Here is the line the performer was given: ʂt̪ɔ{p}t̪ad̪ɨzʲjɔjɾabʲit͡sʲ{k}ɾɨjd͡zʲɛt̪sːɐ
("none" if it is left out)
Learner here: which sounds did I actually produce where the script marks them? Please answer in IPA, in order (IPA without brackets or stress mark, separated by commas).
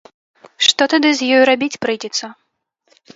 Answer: none, p